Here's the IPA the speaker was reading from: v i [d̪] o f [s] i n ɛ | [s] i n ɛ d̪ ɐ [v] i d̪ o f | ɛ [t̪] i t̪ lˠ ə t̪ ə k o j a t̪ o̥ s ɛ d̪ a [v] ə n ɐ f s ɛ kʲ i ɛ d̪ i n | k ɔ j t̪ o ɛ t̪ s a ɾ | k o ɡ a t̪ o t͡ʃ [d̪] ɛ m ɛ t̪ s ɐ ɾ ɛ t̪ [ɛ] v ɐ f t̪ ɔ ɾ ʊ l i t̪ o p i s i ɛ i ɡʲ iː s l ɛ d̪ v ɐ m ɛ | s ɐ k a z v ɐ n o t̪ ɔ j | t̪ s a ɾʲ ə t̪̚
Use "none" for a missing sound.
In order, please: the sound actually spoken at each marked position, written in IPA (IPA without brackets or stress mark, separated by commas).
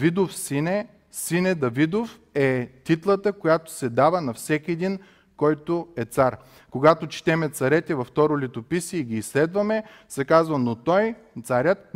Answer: d̪, s, s, v, t̪, v, t̪, ɛ